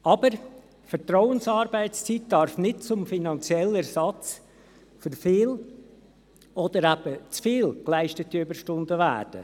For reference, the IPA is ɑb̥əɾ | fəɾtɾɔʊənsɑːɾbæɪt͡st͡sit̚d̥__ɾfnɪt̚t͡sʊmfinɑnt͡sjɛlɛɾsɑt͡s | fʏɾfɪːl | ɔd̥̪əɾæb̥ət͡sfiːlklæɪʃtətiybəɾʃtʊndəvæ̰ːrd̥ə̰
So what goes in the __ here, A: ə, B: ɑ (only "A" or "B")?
B